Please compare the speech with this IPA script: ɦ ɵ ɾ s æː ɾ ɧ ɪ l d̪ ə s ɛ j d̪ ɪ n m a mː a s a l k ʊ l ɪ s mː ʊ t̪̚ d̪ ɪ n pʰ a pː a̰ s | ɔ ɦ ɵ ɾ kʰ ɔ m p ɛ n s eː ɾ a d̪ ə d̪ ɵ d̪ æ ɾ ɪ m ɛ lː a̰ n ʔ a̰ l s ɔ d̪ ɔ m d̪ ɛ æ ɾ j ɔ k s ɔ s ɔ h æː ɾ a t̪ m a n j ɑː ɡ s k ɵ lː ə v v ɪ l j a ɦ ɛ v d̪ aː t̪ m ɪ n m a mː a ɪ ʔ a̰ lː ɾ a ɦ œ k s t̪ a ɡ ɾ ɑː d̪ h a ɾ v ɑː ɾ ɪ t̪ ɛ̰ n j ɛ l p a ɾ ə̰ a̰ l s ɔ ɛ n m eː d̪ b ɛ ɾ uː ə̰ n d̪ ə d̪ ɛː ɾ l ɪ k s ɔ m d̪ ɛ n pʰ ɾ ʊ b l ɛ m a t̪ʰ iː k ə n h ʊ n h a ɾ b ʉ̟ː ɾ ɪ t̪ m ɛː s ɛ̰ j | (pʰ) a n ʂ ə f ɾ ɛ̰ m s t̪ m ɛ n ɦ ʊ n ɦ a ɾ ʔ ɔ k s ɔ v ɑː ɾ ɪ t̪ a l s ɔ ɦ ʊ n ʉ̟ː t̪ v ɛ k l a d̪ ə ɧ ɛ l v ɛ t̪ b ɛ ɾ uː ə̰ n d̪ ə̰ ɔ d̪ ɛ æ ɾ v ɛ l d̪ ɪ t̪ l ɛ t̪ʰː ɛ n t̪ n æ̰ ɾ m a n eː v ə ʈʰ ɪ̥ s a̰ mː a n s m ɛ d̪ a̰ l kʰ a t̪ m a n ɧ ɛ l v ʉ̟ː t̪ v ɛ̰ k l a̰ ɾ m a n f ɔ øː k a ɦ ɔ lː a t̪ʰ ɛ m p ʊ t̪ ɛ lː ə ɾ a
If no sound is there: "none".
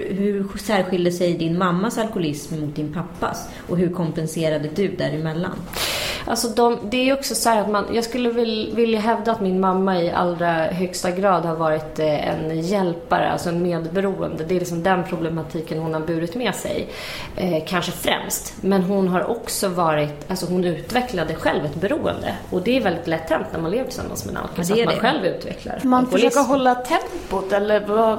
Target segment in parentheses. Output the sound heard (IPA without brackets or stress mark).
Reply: kʰ